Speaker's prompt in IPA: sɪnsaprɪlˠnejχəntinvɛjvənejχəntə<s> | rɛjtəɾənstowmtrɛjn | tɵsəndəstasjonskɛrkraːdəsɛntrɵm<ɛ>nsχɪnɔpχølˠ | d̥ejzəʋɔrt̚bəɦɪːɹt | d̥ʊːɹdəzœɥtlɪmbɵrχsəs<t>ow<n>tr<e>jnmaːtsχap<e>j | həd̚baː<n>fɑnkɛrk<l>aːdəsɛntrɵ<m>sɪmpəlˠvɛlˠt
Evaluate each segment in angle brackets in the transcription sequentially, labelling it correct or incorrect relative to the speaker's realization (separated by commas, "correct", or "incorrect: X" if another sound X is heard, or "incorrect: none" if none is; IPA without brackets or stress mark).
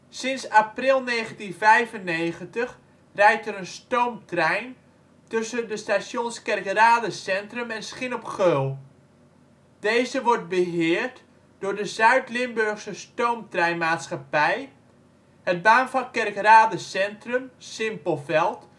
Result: incorrect: χ, correct, correct, incorrect: m, incorrect: ɛ, incorrect: ɛ, correct, incorrect: r, correct